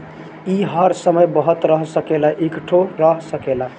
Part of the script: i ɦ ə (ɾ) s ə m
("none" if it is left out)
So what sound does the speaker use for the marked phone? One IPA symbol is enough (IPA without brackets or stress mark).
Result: ɾ